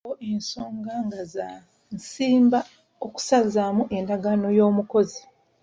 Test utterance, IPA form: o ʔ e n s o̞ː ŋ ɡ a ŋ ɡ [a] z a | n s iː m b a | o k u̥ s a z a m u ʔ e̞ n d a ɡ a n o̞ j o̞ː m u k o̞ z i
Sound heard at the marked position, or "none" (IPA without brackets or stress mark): a